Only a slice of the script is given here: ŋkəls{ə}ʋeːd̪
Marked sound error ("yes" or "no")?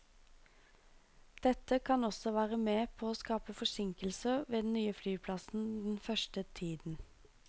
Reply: no